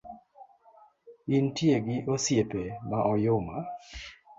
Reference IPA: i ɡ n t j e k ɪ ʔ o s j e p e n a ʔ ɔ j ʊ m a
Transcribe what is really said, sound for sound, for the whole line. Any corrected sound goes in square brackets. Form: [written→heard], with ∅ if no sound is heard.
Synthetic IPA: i [ɡ→∅] n t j e [k→ɡ] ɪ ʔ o s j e p e [n→m] a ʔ ɔ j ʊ m a